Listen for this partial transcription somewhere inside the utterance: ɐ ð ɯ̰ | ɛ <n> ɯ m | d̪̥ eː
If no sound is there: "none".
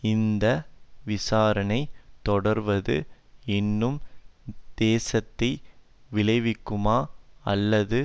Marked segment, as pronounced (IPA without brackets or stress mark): nː